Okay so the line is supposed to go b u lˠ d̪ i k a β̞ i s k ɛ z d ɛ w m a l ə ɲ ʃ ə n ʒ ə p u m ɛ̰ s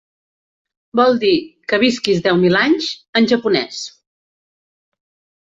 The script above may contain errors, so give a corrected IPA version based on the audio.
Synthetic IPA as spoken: b ɔ lˠ d̪ i k ə β̞ i s k i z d ɛ w m i l a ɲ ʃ ə n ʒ ə p u n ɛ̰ s